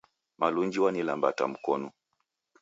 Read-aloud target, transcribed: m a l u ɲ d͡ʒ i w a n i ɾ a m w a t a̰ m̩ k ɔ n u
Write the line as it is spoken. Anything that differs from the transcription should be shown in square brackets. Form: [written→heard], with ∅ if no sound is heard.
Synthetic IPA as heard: m a l u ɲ d͡ʒ i w a n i [ɾ→l] a m [w→b] a t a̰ m̩ k ɔ n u